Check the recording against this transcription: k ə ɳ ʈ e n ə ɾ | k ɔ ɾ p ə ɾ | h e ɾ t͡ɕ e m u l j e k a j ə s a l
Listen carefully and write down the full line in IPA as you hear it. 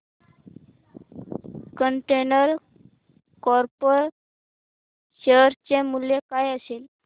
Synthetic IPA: k ə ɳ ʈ e n ə ɾ | k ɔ ɾ p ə ɾ | ɕ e ɾ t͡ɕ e m u l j e k a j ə s e l